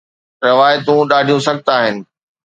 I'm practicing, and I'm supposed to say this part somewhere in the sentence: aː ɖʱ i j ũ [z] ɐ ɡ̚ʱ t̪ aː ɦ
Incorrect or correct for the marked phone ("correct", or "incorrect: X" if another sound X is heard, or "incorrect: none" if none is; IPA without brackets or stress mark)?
incorrect: s